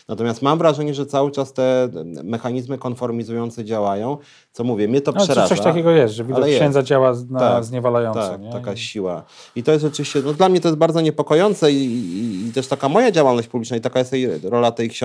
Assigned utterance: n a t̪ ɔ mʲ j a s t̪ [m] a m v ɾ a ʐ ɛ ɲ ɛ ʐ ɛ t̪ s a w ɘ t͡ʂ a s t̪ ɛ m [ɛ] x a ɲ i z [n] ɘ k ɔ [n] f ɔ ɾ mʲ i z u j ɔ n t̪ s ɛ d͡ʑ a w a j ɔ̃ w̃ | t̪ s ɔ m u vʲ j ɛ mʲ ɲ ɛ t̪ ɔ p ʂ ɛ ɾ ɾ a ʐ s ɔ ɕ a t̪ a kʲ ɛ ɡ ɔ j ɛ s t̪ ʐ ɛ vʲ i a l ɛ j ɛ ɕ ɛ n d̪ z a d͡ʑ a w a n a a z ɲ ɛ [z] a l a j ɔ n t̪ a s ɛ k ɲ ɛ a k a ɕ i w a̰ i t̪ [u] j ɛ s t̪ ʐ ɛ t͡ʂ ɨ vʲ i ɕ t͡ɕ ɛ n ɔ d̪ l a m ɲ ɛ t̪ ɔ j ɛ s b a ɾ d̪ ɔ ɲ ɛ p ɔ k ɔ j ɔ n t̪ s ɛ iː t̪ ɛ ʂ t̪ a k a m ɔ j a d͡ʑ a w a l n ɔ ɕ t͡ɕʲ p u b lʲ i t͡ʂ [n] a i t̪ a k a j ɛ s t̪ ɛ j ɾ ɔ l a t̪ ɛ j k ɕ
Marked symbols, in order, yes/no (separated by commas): yes, yes, no, yes, no, no, yes